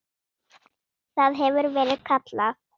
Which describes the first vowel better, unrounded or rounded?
unrounded